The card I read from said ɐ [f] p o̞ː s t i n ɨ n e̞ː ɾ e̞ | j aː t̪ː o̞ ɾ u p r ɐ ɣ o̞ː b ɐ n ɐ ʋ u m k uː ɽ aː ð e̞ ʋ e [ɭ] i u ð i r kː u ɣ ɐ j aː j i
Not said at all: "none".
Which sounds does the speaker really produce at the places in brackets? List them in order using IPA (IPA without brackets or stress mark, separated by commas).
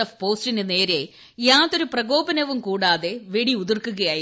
f, ɽ